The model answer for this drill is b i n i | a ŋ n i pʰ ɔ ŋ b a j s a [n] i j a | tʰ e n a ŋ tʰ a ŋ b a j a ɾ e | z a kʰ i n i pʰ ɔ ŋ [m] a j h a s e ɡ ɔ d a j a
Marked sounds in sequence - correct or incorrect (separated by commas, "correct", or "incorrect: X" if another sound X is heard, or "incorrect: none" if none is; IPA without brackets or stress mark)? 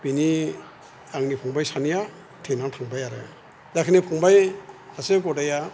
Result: correct, incorrect: b